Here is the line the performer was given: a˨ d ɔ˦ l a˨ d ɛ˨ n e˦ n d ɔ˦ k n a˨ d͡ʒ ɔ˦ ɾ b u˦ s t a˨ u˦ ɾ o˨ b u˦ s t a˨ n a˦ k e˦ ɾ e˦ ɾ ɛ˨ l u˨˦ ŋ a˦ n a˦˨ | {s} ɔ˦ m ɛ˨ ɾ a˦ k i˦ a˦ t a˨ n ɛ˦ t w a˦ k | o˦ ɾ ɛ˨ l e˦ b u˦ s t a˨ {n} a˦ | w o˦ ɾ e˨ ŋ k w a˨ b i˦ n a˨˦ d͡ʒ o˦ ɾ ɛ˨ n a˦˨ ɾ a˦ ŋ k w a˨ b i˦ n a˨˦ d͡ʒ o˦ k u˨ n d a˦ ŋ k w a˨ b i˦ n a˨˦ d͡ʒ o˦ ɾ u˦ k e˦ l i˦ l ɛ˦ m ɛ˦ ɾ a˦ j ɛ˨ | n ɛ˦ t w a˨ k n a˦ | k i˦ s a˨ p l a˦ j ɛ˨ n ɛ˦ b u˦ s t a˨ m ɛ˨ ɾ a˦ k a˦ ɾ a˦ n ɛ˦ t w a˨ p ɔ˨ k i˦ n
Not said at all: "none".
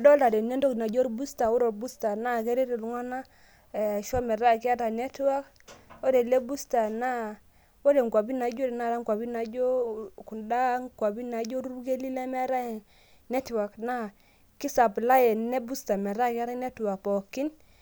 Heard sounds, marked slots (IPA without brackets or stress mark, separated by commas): ʃ, n